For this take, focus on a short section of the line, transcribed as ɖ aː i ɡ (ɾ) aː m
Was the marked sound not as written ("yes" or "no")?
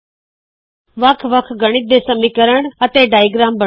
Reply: no